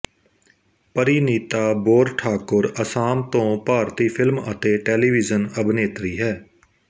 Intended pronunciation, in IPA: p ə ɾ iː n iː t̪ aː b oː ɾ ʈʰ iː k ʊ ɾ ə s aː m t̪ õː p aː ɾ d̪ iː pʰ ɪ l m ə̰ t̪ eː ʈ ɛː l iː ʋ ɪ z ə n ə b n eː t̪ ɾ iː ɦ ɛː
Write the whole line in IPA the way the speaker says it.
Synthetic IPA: p ə ɾ iː n iː t̪ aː b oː ɾ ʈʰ aː k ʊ ɾ ə s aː m t̪ õː p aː ɾ t̪ iː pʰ ɪ l m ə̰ t̪ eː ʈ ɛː l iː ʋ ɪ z ə n ə b n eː t̪ ɾ iː ɦ ɛː